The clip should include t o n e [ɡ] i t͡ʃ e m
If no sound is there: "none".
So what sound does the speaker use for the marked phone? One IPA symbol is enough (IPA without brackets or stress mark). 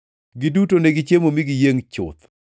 ɡ